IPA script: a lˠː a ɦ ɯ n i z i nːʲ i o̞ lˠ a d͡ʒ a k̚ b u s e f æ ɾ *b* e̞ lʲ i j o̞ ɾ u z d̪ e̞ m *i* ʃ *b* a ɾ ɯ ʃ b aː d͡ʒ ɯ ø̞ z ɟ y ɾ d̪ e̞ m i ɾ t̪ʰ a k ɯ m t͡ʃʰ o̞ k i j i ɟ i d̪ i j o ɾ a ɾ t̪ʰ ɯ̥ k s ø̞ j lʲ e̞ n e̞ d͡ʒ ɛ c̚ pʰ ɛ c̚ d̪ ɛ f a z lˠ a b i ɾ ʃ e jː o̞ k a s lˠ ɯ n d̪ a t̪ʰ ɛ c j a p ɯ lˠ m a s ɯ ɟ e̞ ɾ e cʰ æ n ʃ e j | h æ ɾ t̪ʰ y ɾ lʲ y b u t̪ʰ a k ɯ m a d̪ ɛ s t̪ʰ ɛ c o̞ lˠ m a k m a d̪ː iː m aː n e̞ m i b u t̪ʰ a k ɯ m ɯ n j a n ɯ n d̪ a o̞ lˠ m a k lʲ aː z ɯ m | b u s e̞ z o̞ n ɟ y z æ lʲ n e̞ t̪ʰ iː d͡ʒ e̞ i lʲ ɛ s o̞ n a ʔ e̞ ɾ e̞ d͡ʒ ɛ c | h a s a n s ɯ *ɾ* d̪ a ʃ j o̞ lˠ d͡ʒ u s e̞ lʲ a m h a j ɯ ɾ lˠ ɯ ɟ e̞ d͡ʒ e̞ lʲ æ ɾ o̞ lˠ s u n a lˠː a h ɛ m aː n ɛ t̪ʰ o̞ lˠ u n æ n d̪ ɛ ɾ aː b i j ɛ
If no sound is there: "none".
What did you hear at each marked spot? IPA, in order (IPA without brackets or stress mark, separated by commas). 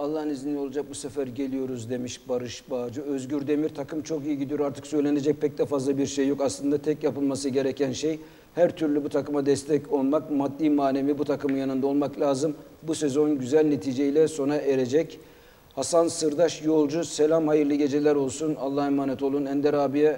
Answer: ɟ, i, b, ɾ